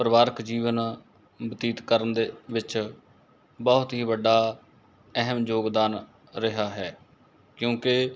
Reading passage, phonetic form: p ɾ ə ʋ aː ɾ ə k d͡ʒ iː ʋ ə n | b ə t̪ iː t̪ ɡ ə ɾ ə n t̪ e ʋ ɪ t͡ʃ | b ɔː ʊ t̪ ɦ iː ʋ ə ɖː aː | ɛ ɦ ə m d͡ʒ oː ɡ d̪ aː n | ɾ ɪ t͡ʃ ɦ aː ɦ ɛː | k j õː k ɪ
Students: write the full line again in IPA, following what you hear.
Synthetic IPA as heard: p ɾ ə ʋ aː ɾ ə k d͡ʒ iː ʋ ə n | b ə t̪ iː t̪ k ə ɾ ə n d̪ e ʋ ɪ t͡ʃ | b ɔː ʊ t̪ ɦ iː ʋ ə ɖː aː | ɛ ɦ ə m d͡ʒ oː ɡ d̪ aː n | ɾ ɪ ɦ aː ɦ ɛː | k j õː k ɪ